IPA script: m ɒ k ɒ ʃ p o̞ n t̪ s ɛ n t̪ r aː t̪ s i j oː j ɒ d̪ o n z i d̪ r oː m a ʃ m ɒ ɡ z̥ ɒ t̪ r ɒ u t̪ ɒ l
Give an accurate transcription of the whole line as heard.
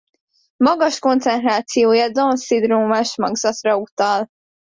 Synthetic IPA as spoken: m ɒ ɡ ɒ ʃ k o̞ n t̪ s ɛ n t̪ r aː t̪ s i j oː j ɒ d̪ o n s i d̪ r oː m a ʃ m ɒ ɡ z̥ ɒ t̪ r ɒ u t̪ ɒ l